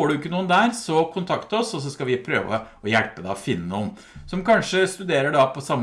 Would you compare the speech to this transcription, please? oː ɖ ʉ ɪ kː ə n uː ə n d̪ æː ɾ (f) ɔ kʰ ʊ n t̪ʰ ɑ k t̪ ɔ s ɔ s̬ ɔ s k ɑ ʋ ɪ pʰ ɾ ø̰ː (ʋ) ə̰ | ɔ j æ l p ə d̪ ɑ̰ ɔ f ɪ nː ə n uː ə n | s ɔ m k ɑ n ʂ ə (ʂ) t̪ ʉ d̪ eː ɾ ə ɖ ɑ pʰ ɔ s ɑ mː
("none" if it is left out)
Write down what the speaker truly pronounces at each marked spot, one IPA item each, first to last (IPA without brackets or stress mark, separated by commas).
s, ʋ, s